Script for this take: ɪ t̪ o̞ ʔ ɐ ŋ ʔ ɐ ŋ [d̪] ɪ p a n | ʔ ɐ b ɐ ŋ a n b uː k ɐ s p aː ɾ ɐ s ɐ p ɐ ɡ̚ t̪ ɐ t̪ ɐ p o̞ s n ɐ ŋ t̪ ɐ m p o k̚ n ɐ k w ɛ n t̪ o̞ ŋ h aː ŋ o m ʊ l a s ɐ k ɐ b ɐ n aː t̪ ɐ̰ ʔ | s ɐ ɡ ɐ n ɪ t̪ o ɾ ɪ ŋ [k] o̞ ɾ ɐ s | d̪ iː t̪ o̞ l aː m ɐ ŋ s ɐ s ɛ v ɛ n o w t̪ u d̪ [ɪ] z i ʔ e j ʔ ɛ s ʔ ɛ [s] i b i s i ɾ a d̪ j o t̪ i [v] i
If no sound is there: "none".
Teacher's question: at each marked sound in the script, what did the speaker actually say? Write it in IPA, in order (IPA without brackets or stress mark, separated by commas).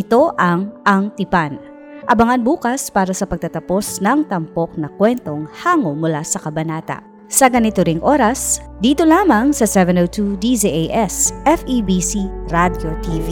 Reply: t̪, ʔ, i, f, v